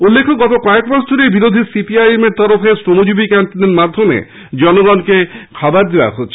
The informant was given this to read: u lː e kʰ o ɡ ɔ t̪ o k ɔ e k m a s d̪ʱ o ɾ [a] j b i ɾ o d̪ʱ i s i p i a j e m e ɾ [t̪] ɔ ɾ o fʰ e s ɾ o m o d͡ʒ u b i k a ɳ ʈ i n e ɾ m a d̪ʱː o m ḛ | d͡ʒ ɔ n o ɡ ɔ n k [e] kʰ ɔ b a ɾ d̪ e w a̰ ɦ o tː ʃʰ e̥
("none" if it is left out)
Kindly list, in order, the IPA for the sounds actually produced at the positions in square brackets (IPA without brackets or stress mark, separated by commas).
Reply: e, t̪, e